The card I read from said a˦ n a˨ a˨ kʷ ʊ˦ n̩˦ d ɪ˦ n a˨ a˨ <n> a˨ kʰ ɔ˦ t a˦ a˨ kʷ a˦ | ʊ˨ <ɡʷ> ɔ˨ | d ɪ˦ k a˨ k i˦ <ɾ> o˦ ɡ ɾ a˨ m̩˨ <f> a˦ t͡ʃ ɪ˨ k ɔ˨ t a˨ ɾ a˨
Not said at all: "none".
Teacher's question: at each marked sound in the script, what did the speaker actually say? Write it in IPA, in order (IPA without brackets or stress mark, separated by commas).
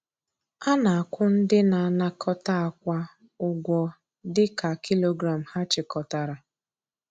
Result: n, ɡʷ, l, h